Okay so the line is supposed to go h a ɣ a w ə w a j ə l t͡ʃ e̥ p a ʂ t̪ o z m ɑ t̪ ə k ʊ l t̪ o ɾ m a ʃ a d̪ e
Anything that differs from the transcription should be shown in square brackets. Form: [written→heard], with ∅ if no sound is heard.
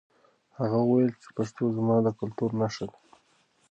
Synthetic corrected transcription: h a ɣ a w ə w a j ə l t͡ʃ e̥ p a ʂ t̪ o z m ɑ [t̪→d̪] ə k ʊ l t̪ [o→u] ɾ [m→n] a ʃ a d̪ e